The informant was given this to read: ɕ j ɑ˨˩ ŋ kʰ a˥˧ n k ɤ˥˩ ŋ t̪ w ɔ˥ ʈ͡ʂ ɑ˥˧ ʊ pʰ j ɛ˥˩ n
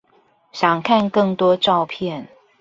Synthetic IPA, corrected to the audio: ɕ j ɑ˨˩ ŋ kʰ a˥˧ n k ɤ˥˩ ŋ t̪ w ɔ˥ ʈ͡ʂ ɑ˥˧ ʊ pʰ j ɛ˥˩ n